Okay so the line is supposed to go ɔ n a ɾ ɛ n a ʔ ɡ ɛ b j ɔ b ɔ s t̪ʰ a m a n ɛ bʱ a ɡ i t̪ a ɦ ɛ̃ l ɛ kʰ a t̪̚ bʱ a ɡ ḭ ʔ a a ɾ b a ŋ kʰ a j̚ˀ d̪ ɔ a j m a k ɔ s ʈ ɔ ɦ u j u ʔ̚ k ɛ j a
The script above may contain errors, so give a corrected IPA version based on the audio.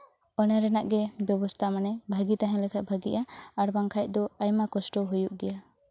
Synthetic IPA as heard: ɔ n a ɾ ɛ n a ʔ ɡ ɛ b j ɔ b ɔ s t̪ʰ a m a n ɛ bʱ a ɡ i t̪ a ɦ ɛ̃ l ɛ kʰ a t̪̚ bʱ a ɡ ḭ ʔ a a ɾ b a ŋ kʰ a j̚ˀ d̪ ɔ a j m a k ɔ s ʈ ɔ ɦ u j u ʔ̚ ɡ ɛ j a